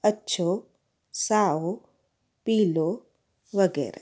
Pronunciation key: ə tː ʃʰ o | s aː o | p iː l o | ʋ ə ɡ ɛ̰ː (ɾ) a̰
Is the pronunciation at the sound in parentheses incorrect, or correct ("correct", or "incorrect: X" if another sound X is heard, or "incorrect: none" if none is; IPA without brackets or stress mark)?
correct